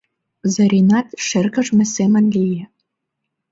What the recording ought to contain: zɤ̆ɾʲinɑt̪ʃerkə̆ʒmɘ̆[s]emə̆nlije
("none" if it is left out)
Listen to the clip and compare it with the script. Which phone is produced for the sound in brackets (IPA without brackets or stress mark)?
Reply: s